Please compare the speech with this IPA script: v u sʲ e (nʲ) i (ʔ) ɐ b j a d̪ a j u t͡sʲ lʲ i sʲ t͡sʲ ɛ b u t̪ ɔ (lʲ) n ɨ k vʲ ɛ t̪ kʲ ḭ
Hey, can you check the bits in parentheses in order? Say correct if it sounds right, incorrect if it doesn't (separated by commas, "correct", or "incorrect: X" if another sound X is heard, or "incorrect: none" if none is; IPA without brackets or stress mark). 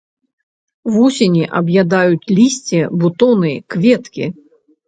correct, correct, incorrect: none